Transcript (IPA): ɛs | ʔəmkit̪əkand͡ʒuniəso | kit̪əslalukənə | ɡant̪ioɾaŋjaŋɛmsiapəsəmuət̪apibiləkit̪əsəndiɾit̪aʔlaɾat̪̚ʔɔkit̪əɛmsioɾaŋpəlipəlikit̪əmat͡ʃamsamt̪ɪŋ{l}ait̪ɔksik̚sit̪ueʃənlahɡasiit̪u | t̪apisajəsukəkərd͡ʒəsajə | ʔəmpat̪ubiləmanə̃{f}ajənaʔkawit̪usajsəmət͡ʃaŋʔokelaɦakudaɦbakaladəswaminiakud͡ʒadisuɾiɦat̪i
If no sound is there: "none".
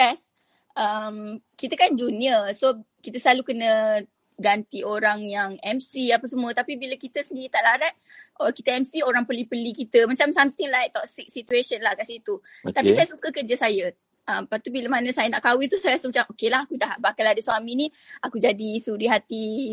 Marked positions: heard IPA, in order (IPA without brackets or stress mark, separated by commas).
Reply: l, s